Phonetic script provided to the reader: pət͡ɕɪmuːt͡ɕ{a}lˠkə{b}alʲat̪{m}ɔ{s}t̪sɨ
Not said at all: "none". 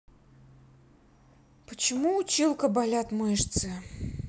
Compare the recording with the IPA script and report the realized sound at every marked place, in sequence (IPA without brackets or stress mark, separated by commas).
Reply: i, b, m, ʂ